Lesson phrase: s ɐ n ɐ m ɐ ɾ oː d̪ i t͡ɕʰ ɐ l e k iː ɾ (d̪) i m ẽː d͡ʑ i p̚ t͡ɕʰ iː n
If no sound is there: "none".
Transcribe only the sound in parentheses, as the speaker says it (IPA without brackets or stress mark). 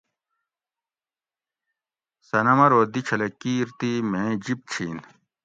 t̪